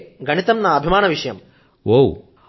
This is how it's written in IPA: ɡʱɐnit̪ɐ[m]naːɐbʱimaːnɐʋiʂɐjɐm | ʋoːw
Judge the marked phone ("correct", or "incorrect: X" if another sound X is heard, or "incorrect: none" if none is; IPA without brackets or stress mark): correct